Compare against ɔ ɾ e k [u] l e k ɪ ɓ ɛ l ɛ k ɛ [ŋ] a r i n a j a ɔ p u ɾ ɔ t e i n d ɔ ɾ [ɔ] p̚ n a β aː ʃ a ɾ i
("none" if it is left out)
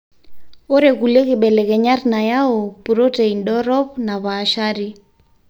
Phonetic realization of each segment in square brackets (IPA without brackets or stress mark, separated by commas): u, ɲ, ɔ